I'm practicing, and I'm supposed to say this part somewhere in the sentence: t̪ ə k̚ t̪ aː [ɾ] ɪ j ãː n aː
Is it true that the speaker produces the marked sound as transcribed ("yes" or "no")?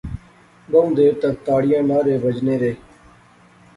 no